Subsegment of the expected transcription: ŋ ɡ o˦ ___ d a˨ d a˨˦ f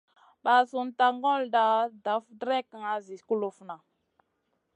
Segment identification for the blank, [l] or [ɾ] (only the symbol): l